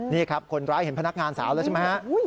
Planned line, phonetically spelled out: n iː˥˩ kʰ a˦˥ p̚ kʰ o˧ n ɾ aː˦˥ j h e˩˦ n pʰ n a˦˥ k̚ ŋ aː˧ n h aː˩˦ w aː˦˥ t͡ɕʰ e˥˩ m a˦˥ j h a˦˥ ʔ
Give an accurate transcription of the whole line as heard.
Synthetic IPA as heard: n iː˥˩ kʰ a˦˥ p̚ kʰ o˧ n ɾ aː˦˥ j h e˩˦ n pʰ n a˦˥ k̚ ŋ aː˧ n s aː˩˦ w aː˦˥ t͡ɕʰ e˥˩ m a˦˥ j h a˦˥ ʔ

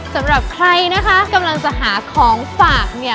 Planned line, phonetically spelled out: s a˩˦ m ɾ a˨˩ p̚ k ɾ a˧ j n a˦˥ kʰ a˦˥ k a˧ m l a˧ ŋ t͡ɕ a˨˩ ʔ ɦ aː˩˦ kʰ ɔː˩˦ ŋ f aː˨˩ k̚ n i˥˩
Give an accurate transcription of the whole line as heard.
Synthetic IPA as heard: s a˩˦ m ɾ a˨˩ p̚ kʰ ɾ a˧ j n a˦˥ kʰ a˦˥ k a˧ m l a˧ ŋ t͡ɕ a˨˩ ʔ ɦ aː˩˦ kʰ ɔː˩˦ ŋ f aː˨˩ k̚ n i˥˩

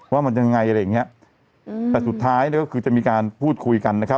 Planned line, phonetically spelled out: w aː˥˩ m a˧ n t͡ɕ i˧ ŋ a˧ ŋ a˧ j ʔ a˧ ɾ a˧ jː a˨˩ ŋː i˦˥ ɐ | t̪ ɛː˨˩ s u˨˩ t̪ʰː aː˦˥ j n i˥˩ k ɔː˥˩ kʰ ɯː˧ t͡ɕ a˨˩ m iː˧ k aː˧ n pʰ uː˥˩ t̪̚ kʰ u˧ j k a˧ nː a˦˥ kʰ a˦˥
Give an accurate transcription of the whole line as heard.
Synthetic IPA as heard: w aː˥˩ m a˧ n t͡ɕ a˧ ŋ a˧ ŋ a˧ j ʔ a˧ ɾ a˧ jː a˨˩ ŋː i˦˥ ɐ | t̪ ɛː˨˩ s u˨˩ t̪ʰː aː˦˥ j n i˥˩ k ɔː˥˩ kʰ ɯː˧ t͡ɕ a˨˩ m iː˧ k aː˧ n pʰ uː˥˩ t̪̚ kʰ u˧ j k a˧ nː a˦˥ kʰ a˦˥

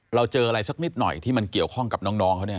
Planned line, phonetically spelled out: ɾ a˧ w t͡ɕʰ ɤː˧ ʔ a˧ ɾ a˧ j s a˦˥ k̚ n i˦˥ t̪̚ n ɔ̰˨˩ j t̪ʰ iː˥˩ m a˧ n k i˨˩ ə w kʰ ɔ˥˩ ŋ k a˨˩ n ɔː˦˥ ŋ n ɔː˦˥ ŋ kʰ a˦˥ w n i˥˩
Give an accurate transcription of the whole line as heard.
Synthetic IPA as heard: ɾ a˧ w t͡ɕ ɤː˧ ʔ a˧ ɾ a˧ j s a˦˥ k̚ n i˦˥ t̪̚ n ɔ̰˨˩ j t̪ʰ iː˥˩ m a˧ n k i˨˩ ə w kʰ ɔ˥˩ ŋ k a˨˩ n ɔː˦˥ ŋ n ɔː˦˥ ŋ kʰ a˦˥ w n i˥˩

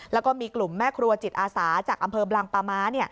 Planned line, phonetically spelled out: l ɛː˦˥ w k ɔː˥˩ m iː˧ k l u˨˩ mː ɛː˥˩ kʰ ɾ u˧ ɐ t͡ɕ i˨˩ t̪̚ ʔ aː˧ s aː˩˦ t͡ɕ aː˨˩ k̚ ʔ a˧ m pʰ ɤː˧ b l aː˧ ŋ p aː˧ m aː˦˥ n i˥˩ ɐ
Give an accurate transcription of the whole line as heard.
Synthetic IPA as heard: l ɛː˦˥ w k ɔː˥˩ m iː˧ k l u˨˩ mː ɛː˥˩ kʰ ɾ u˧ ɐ t͡ɕ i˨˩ t̪̚ ʔ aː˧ s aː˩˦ t͡ɕ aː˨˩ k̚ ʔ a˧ m pʰ ɤː˧ b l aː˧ ŋ p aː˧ m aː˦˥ n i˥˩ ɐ

